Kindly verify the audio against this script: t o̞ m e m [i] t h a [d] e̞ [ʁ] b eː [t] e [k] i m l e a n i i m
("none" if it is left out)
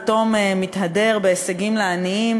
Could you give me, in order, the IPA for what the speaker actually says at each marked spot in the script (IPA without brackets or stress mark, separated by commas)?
i, d, ʁ, s, ɡ